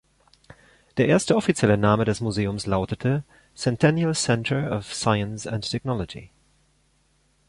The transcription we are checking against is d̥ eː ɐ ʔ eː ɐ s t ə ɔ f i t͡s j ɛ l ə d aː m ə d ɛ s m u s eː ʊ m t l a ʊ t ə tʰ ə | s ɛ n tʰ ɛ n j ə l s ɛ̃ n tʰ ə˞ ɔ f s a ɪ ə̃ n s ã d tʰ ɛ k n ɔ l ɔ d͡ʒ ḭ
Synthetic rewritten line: d̥ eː ɐ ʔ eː ɐ s t ə ɔ f i t͡s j ɛ l ə n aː m ə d ɛ s m u z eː ʊ m s l a ʊ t ə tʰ ə | s ɛ n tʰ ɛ n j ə l s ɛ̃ n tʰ ə˞ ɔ f s a ɪ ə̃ n s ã n tʰ ɛ k n ɔ l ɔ d͡ʒ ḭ

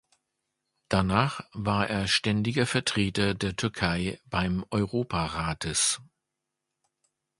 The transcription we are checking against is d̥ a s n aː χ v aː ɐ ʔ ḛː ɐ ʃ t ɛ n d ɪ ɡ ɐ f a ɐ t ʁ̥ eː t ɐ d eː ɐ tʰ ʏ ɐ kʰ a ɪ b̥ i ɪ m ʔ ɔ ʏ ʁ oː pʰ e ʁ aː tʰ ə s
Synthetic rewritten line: d̥ a n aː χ v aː ɐ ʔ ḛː ɐ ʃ t ɛ n d ɪ ɡ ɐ f ɛ ɐ t ʁ̥ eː t ɐ d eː ɐ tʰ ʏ ɐ kʰ a ɪ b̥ a ɪ m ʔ ɔ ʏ ʁ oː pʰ a ʁ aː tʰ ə s

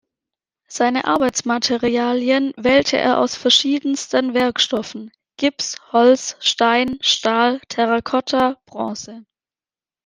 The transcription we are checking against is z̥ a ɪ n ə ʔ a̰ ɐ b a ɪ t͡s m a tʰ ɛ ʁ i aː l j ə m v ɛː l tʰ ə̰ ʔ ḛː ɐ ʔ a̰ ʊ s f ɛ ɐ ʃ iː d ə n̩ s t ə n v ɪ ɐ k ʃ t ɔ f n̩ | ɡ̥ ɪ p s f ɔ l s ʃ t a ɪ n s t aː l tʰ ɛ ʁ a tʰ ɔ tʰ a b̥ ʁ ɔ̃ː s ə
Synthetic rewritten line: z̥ a ɪ n ə ʔ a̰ ɐ b a ɪ t͡s m a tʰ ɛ ʁ i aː l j ə n v ɛː l tʰ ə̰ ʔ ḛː ɐ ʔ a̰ ʊ s f ɛ ɐ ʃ iː d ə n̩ s t ə n v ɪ ɐ k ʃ t ɔ f n̩ | ɡ̥ ɪ p s h ɔ l s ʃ t a ɪ n ʃ t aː l tʰ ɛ ʁ a kʰ ɔ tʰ a b̥ ʁ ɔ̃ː s ə

